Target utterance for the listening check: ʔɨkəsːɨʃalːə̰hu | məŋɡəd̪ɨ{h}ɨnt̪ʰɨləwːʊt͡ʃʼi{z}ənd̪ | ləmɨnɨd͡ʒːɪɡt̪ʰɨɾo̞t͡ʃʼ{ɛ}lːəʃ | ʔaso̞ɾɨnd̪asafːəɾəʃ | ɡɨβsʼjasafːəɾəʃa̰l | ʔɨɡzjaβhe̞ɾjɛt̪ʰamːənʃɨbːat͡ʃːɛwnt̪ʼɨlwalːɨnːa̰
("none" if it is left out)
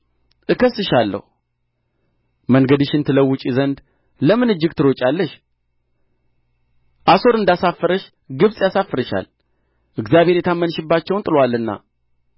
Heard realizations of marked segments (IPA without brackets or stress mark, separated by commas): ʃ, z, a